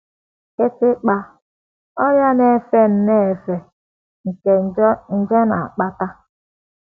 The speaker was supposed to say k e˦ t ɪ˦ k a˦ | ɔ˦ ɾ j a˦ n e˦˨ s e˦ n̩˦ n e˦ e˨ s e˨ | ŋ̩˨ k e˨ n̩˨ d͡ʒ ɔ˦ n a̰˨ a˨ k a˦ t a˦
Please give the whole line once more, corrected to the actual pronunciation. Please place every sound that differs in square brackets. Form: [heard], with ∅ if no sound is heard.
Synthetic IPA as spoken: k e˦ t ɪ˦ [k͡p] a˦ | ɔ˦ ɾ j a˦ n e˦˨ [f] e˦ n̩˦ n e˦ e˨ [f] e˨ | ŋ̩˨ k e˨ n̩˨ d͡ʒ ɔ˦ n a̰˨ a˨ [k͡p] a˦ t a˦